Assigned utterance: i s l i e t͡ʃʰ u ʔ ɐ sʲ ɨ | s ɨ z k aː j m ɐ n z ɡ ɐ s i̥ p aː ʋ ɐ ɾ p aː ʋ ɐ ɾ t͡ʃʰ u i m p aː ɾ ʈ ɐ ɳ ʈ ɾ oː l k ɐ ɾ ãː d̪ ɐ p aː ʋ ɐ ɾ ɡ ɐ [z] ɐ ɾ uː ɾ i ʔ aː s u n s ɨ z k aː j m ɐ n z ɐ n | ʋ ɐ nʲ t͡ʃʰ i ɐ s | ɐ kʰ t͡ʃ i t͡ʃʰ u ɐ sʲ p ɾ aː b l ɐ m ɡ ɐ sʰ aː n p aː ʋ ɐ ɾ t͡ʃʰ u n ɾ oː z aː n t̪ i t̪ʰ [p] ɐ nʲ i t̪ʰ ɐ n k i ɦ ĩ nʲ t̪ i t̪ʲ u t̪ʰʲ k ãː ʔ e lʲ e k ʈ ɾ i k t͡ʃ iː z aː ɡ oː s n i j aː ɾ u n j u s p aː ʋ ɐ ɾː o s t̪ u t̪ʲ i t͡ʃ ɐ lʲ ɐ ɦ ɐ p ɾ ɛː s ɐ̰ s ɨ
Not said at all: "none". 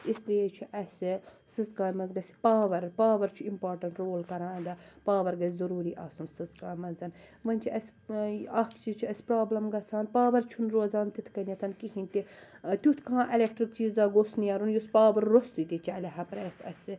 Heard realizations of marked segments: z, k

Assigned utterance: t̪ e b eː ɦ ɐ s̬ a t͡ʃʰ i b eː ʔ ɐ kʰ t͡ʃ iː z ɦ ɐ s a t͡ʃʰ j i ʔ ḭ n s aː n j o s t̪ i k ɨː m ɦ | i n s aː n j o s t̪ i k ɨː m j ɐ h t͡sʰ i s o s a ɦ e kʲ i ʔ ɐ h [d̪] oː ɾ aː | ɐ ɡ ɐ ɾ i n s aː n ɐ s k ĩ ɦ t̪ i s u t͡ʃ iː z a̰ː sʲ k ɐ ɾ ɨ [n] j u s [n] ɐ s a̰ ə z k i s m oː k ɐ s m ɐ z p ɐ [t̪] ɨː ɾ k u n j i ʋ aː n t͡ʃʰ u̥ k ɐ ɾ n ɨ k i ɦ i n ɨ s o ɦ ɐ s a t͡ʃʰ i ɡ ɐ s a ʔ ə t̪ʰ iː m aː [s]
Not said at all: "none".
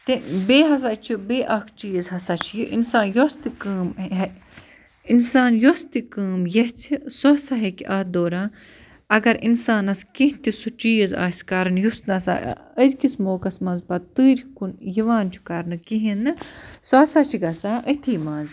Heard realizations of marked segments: d̪, n, n, t̪, z

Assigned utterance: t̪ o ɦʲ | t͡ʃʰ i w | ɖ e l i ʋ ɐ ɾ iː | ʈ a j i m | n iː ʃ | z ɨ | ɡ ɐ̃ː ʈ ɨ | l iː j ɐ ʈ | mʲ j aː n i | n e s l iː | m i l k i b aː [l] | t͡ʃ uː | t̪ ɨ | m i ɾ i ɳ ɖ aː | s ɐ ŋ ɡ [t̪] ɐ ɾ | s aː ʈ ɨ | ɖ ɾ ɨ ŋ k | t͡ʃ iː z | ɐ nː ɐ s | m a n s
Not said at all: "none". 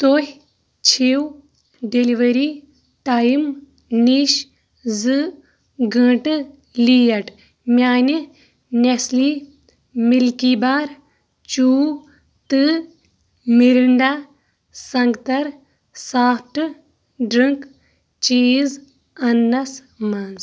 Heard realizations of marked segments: ɾ, t̪

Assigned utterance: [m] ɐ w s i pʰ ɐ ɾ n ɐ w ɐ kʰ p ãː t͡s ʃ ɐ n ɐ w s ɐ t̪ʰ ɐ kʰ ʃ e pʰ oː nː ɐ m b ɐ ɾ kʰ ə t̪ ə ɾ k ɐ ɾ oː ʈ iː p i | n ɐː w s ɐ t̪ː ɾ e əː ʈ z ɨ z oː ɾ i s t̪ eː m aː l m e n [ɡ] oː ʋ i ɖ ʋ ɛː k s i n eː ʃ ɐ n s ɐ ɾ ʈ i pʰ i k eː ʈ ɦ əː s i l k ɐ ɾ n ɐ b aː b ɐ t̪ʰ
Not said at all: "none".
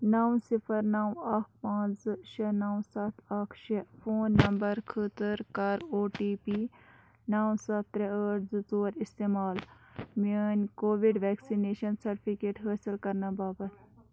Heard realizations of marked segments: n, k

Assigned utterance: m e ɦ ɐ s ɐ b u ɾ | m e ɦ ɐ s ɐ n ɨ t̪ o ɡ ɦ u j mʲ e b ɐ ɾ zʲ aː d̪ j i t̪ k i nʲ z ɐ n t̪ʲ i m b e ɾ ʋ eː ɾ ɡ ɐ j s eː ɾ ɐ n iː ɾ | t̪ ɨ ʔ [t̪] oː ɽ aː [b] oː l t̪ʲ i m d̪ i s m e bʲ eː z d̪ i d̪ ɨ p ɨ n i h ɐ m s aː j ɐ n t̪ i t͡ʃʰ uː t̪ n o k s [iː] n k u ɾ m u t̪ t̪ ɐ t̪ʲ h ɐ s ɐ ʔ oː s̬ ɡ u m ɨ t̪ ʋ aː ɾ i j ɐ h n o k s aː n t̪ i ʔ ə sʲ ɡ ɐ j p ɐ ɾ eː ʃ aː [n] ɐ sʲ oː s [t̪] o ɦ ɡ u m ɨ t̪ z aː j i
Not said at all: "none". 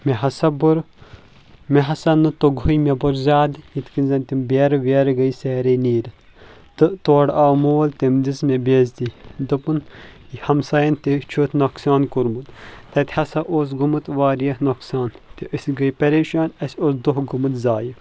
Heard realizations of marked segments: t̪, m, aː, n, d̪

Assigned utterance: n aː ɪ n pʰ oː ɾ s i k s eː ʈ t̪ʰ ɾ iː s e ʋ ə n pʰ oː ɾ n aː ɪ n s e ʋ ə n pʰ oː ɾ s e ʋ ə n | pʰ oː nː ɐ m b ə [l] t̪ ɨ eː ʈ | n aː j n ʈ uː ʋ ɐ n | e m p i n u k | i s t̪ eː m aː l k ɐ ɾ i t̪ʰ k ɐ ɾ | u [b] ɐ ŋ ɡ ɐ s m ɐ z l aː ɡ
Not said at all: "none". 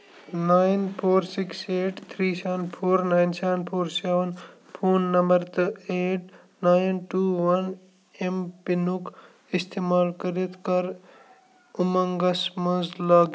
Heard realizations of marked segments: ɾ, m

